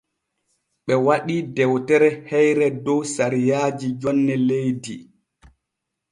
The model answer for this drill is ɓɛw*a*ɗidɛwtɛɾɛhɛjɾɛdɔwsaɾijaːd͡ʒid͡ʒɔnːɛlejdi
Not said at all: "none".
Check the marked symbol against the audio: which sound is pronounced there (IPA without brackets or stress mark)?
a